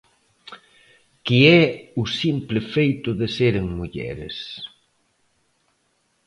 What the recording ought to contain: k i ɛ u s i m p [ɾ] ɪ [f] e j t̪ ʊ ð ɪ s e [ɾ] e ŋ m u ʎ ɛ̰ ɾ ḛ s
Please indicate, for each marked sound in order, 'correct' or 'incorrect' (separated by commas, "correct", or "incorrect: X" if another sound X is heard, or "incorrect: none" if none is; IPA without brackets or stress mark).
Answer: incorrect: l, correct, correct